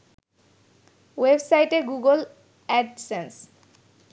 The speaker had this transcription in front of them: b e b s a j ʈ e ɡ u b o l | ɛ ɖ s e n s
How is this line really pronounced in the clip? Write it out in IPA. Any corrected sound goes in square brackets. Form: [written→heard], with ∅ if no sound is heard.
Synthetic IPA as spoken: [b→w] e b s a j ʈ e ɡ u [b→ɡ] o l | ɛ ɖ s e n s